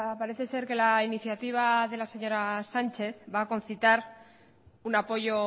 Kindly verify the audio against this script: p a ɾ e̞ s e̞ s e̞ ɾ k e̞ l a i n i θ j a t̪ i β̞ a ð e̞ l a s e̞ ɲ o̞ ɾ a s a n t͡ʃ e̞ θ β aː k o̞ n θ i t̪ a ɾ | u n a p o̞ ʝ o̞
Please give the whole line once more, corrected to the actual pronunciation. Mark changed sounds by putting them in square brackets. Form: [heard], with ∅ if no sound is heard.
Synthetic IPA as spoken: p a ɾ e̞ [θ] e̞ s e̞ ɾ k e̞ l a i n i θ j a t̪ i β̞ a ð e̞ l a s e̞ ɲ o̞ ɾ a s a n t͡ʃ e̞ θ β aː k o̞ n θ i t̪ a ɾ | u n a p o̞ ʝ o̞

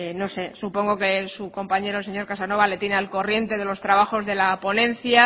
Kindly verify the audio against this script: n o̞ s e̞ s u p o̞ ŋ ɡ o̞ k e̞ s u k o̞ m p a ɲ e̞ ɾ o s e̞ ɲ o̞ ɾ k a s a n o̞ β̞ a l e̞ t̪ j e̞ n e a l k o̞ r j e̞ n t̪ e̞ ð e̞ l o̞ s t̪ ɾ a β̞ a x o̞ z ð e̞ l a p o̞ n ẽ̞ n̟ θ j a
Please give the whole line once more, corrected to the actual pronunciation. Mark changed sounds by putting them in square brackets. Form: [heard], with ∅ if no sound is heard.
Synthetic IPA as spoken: n o̞ s e̞ s u p o̞ ŋ ɡ o̞ k e̞ s u k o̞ m p a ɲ e̞ ɾ o s e̞ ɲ o̞ ɾ k a s a n o̞ β̞ a l e̞ t̪ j e̞ n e a l k o̞ r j e̞ n t̪ e̞ ð e̞ l o̞ s t̪ ɾ a β̞ a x o̞ z ð e̞ l a p o̞ n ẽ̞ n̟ θ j a

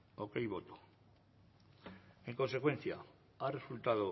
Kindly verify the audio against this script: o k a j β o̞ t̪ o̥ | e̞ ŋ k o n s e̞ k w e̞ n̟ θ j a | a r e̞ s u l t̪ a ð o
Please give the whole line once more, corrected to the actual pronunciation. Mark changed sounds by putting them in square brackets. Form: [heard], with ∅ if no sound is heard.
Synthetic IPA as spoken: o k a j β o̞ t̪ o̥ | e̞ ŋ k o n s e̞ k w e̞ n̟ θ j a | a r e̞ s u l t̪ a ð o

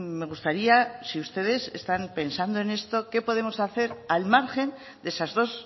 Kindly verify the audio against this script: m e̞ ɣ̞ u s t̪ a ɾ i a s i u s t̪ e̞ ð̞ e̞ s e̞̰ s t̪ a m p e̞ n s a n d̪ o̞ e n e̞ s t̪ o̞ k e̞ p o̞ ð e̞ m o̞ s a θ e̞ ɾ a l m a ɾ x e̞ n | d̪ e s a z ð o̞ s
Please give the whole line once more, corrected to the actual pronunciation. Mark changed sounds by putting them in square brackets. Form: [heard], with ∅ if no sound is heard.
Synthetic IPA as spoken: m e̞ ɣ̞ u s t̪ a ɾ i a s i u s t̪ e̞ ð̞ e̞ s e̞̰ s t̪ a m p e̞ n s a n d̪ o̞ e n e̞ s t̪ o̞ k e̞ p o̞ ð e̞ m o̞ s a θ e̞ ɾ a l m a ɾ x e̞ n | d̪ e s a z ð o̞ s

